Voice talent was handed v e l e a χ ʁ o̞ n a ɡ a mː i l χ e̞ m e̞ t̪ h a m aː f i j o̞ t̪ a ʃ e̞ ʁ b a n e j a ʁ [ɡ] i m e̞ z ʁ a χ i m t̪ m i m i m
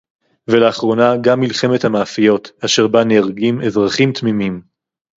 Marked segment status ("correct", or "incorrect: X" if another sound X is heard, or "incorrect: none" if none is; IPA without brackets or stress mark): correct